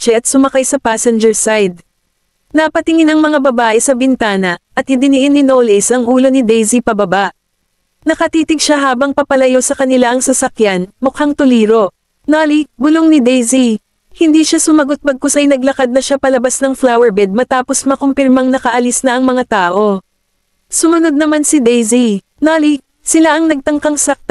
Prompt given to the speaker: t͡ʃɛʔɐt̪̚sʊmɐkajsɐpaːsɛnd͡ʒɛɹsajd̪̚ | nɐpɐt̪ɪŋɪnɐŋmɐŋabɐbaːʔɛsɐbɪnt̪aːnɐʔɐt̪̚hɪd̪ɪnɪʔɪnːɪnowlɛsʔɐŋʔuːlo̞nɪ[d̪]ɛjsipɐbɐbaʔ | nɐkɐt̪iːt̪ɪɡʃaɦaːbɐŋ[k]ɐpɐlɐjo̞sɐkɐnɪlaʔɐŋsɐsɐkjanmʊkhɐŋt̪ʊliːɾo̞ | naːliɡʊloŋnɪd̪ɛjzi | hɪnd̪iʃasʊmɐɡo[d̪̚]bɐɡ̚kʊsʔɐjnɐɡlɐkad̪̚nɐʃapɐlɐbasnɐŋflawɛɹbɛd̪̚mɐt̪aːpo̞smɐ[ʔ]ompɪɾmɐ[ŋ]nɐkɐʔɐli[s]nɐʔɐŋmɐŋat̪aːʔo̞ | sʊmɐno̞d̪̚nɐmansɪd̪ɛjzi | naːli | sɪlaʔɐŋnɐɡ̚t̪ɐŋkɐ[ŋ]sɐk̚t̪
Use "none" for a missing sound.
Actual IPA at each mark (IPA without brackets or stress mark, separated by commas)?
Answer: d̪, p, t̪̚, k, ŋ, s, ŋ